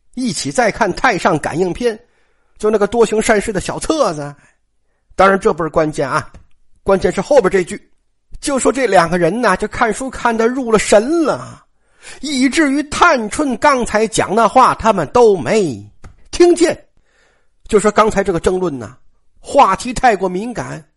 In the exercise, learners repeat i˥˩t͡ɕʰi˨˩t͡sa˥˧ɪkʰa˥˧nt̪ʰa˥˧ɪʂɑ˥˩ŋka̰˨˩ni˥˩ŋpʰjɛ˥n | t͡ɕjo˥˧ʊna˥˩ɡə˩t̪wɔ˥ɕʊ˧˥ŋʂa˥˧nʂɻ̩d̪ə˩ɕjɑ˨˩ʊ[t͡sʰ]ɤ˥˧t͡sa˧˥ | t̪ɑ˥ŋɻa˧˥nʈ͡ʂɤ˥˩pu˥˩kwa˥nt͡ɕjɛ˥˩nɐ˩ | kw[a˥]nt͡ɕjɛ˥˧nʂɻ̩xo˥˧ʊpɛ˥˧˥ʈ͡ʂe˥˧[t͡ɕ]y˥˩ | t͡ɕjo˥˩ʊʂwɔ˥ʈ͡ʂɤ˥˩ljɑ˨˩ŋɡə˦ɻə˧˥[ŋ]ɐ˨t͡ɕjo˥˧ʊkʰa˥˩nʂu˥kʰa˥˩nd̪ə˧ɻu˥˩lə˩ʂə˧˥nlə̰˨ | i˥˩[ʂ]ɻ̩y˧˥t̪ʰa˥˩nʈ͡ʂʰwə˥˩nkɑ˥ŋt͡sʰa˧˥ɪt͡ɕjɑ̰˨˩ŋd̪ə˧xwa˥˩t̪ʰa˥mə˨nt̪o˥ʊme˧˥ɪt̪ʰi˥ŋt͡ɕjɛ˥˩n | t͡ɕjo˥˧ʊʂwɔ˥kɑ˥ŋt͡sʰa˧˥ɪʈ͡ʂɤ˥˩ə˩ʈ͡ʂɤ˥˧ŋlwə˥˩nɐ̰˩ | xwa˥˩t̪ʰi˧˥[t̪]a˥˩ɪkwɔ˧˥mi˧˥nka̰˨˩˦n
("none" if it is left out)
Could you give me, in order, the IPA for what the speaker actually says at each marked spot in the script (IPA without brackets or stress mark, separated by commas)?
t͡sʰ, a˥, t͡ɕ, n, ʈ͡ʂ, t̪ʰ